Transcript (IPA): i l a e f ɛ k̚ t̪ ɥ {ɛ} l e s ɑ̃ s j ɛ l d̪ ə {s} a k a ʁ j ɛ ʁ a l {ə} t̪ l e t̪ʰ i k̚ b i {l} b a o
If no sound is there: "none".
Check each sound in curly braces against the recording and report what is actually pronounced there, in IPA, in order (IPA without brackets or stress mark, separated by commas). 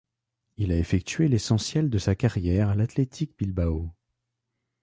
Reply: e, s, a, l